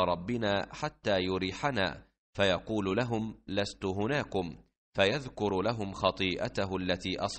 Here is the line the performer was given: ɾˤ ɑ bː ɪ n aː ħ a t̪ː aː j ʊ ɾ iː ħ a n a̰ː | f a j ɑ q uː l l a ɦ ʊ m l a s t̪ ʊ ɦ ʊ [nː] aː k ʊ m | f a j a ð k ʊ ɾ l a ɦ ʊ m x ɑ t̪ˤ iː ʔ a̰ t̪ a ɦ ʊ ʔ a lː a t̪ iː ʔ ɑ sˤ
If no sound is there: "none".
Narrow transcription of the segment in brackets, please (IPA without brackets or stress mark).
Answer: n